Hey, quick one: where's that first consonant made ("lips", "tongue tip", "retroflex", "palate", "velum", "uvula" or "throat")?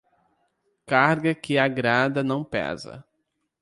velum